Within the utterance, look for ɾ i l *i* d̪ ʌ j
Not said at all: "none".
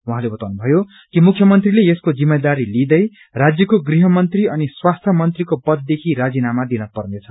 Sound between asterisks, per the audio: i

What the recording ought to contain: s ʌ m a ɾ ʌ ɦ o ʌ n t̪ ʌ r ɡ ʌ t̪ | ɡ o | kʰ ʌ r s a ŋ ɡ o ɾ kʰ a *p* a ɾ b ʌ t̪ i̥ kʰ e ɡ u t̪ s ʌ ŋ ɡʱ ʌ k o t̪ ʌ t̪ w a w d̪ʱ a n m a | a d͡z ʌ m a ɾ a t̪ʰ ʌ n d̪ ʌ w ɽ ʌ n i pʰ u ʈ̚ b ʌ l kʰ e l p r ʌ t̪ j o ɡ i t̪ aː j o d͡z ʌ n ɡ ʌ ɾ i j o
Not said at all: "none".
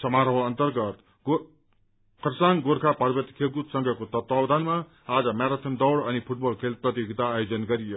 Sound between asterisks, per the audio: p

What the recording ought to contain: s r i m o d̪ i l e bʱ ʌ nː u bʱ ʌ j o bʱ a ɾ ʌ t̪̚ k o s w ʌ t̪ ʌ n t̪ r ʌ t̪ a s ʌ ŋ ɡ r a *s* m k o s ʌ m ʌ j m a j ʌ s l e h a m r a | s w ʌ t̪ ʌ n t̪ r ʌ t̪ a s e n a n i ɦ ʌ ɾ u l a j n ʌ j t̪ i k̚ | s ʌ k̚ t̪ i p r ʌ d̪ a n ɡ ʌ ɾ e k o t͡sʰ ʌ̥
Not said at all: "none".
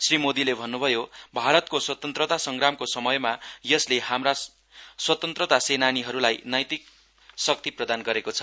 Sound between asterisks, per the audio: none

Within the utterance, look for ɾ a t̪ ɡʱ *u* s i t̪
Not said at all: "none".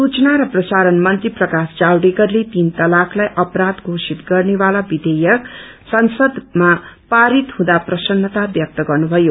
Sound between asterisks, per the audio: o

